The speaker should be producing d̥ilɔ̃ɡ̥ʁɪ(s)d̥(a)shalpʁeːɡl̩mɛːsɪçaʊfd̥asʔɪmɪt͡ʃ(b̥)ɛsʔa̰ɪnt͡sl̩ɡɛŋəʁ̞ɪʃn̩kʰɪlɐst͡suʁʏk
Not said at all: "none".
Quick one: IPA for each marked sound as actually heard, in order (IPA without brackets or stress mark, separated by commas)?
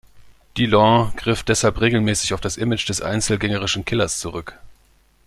f, ɛ, d̥